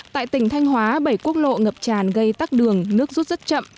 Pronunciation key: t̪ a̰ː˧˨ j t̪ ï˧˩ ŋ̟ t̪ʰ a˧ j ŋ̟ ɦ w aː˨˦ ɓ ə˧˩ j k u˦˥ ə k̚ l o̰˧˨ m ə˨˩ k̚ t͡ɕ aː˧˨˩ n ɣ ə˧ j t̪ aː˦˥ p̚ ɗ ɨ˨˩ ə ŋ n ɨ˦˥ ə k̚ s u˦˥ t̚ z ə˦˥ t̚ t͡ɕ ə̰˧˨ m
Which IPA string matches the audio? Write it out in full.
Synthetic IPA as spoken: t̪ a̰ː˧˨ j t̪ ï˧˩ ŋ̟ t̪ʰ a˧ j ŋ̟ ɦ w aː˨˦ ɓ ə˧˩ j k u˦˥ ə k̚ l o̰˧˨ ŋ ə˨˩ p̚ t͡ɕ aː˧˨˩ n ɣ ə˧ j t̪ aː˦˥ k̚ ɗ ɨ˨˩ ə ŋ n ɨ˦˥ ə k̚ z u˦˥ t̚ z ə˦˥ t̚ t͡ɕ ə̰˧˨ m